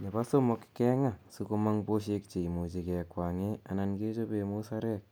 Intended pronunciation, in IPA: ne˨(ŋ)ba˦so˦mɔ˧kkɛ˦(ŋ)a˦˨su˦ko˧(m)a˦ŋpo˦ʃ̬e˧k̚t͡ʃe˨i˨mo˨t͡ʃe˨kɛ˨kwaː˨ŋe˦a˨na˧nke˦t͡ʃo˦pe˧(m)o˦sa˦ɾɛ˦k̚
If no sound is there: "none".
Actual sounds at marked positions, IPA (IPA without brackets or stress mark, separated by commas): none, ŋ, m, m